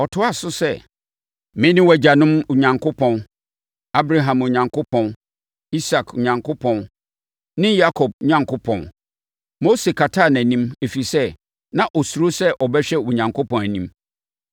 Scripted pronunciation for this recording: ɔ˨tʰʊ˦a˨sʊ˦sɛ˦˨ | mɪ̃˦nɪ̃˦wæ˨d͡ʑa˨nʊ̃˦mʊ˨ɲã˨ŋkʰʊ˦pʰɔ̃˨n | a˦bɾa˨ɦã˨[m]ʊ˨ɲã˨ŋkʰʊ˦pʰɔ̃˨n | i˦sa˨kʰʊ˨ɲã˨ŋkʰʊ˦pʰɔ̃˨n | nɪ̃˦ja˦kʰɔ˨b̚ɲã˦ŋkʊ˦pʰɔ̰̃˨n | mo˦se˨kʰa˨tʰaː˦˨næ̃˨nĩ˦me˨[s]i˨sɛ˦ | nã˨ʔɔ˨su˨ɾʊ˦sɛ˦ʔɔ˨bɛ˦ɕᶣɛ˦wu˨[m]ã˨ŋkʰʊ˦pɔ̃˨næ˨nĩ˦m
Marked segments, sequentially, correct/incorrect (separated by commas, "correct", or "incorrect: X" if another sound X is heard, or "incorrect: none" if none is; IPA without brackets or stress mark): correct, incorrect: f, incorrect: ɲ